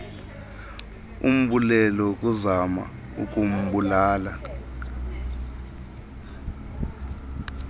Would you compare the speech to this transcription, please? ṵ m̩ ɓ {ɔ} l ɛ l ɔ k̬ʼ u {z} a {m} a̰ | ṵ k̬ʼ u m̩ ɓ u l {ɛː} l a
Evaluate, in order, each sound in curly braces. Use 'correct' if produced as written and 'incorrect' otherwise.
incorrect, correct, correct, incorrect

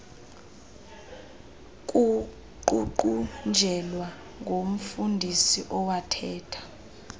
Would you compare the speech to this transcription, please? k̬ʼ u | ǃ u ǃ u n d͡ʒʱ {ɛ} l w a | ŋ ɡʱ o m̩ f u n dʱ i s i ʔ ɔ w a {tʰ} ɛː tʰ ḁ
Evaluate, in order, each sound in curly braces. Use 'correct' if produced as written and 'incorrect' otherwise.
correct, correct

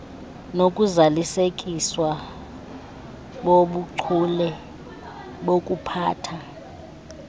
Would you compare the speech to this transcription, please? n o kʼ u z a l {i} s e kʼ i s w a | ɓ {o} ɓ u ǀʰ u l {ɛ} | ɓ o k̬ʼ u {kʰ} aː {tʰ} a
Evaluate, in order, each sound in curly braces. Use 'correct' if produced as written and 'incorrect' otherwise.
correct, correct, correct, incorrect, correct

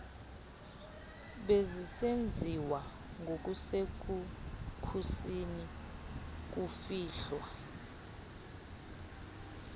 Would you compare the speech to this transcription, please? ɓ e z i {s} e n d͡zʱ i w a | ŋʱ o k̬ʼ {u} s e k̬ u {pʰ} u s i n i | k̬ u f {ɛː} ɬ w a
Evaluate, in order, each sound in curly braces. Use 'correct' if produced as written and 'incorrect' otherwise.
correct, correct, incorrect, incorrect

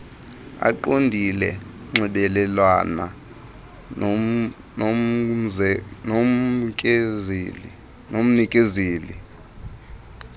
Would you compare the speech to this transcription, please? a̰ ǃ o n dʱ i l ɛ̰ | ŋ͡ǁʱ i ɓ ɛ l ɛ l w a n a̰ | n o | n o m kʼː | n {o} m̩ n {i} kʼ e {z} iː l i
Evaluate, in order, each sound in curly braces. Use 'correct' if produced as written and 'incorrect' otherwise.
correct, correct, correct

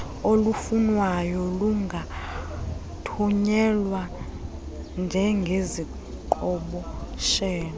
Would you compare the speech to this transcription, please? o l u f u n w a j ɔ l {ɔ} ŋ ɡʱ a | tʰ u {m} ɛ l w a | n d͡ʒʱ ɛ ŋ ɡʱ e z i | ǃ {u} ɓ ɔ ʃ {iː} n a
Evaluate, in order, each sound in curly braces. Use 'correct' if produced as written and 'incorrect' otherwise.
incorrect, incorrect, incorrect, incorrect

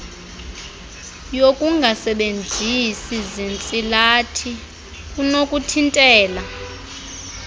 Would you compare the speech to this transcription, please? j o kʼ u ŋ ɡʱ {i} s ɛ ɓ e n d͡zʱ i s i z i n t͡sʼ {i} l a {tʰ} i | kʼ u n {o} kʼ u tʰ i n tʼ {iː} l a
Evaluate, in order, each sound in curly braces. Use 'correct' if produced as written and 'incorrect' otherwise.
incorrect, correct, correct, correct, incorrect

